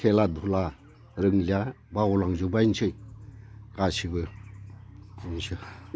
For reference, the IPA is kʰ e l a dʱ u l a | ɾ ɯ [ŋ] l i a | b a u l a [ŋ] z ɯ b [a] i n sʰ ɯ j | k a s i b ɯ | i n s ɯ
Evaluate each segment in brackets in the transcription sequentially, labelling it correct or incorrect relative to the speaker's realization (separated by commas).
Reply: correct, correct, correct